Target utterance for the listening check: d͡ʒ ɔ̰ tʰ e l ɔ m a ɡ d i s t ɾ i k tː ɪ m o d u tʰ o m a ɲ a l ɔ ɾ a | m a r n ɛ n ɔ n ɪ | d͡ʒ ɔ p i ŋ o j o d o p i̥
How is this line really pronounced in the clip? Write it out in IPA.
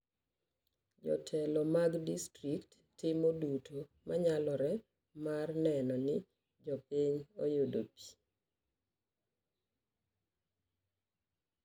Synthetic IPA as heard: d͡ʒ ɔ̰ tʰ ɛ l ɔ m a ɡ d i s t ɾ i k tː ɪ m o d u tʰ o m a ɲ a l ɔ ɾ ɛ | m a r n ɛ n ɔ n ɪ | d͡ʒ ɔ p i ɲ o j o d o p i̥